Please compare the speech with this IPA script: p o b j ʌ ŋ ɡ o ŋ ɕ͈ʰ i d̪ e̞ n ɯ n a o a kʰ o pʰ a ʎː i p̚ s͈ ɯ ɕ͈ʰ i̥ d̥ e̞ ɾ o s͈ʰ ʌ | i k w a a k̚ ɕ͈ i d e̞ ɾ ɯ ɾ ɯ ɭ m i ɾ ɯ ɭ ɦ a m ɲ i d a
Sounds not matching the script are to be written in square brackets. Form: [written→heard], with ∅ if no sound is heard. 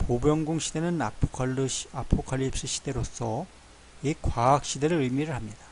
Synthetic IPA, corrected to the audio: p o b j ʌ ŋ ɡ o ŋ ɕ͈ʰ i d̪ e̞ n ɯ n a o a [kʰ→pʰ] o [pʰ→kʰ] a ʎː i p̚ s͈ ɯ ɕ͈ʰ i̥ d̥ e̞ ɾ o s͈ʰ ʌ | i k w a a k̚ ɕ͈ i d e̞ ɾ ɯ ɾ ɯ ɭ m i ɾ ɯ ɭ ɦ a m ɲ i d a